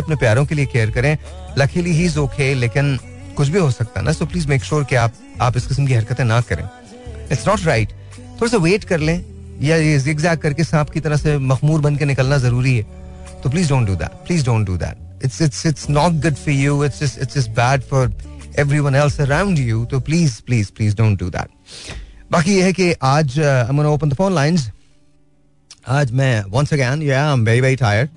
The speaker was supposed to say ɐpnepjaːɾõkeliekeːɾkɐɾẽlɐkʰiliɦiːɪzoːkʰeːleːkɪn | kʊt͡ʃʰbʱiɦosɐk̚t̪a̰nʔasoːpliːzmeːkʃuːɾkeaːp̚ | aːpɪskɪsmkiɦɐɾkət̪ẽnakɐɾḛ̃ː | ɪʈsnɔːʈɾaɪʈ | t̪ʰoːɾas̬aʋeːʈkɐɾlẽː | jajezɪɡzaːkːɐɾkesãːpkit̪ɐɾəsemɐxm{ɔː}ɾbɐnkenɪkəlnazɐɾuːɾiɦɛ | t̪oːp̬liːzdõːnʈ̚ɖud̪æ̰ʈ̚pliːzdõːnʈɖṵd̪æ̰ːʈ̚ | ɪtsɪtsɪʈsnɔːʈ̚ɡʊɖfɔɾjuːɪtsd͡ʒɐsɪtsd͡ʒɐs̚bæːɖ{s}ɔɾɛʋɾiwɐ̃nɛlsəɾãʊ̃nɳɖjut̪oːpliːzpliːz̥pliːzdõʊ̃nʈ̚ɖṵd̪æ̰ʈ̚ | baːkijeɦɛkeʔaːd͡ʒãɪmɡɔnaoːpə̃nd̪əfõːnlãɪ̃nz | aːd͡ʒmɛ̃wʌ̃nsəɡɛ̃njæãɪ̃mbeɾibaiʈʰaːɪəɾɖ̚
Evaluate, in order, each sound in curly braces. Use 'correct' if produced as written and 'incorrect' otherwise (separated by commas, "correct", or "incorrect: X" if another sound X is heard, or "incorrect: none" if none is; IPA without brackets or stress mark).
incorrect: uː, incorrect: f